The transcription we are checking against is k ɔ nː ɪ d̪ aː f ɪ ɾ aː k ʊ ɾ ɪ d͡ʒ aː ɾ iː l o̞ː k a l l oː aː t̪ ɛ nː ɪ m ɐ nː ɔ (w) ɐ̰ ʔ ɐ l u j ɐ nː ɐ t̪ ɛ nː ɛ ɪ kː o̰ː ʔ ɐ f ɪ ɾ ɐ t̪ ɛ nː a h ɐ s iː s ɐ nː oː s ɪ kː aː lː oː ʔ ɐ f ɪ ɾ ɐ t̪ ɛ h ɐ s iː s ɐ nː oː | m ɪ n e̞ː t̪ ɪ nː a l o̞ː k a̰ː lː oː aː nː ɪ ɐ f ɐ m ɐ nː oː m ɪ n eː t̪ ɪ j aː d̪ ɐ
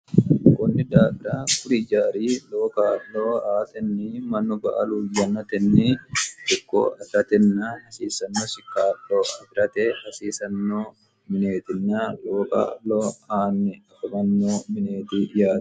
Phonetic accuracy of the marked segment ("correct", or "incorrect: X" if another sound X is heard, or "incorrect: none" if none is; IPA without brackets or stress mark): incorrect: b